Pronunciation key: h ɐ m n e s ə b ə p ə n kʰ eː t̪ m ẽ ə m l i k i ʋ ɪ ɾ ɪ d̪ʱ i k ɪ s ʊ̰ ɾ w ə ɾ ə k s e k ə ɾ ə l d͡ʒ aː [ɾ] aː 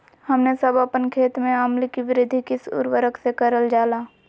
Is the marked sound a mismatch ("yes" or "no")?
yes